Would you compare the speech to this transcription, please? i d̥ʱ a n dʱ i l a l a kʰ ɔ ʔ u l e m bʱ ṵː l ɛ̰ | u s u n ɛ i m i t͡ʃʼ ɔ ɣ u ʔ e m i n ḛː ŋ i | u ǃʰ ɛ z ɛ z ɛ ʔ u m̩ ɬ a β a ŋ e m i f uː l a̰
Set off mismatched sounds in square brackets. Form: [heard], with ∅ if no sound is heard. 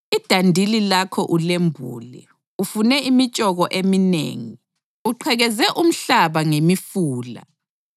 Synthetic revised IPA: i d̥ʱ a n dʱ i l [i] l a kʰ ɔ ʔ u l e m bʱ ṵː l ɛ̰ | u [f] u n ɛ i m i t͡ʃʼ ɔ ɣ [ɔ] ʔ e m i n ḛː ŋ i | u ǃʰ ɛ [ɣ] ɛ z ɛ ʔ u m̩ ɬ a β a ŋ e m i f uː l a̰